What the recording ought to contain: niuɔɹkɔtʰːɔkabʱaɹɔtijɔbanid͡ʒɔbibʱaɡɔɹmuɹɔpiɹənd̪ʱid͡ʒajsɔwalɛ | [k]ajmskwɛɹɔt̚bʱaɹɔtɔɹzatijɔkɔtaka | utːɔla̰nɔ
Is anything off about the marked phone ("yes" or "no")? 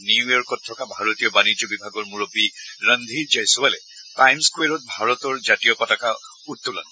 yes